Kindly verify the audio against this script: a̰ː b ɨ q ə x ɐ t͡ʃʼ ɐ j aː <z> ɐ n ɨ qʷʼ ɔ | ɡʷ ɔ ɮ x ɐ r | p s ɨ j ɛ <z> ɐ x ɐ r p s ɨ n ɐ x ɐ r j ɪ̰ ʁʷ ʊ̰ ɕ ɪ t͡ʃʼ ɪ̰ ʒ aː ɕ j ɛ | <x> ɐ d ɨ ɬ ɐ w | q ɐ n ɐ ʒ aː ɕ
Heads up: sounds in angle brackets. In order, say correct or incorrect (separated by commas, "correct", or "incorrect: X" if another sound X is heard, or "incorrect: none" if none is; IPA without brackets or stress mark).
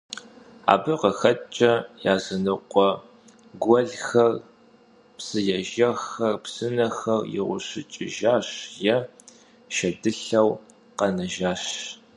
correct, incorrect: ʒ, incorrect: ʃ